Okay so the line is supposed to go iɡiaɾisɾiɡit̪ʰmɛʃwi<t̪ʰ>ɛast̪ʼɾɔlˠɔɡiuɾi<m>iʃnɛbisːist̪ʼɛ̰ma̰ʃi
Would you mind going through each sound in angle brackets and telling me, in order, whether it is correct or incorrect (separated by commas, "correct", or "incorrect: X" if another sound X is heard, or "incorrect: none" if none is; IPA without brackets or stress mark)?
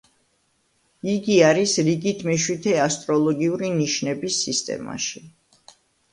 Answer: correct, incorrect: n